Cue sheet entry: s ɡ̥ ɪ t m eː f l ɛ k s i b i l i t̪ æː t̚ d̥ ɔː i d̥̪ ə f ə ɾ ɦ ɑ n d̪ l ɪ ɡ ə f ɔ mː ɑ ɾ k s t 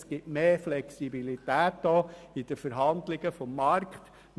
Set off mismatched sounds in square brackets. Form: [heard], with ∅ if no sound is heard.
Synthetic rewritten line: s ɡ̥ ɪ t m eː f l ɛ k s i b i l i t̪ æː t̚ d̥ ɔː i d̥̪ ə f ə ɾ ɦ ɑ n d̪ l ɪ ɡ ə f ɔ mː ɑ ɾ k [χ] t